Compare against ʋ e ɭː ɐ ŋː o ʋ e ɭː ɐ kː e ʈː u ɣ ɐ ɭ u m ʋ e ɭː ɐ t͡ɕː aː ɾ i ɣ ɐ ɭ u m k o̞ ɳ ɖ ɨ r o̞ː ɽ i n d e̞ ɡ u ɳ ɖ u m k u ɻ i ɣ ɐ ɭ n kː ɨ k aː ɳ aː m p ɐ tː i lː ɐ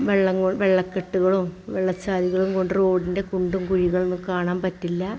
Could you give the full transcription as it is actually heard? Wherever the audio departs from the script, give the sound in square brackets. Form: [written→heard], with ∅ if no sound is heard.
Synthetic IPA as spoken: ʋ e ɭː ɐ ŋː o ʋ e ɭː ɐ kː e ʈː u ɣ ɐ ɭ u m ʋ e ɭː ɐ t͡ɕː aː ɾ i ɣ ɐ ɭ u m k o̞ ɳ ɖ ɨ r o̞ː ɽ i n d e̞ [ɡ→k] u ɳ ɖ u m k u ɻ i ɣ ɐ ɭ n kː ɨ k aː ɳ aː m p ɐ tː i lː ɐ